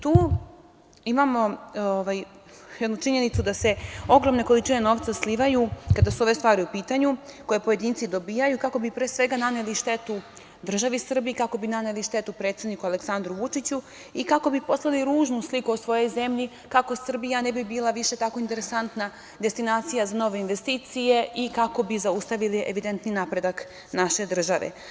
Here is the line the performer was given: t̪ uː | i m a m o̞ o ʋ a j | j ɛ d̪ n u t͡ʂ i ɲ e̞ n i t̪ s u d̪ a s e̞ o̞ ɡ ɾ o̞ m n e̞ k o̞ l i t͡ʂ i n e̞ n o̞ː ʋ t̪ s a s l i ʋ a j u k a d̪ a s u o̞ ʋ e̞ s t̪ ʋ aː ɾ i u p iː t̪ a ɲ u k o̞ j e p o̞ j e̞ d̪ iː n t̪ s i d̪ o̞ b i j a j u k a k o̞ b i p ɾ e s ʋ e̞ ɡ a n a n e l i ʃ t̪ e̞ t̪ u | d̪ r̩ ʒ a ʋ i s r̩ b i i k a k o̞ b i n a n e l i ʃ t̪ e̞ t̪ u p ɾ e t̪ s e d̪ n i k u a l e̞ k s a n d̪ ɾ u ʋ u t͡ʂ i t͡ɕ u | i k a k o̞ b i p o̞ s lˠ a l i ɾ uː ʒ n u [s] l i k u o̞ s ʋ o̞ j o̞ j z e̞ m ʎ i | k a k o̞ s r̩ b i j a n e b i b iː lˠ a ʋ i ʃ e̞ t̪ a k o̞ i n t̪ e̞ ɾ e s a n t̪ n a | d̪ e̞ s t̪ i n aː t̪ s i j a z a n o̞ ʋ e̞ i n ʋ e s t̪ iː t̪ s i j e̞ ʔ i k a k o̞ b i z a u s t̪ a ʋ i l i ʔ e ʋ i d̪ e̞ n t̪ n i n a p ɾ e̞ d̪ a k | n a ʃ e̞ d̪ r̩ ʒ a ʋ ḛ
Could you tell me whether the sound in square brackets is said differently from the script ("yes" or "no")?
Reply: no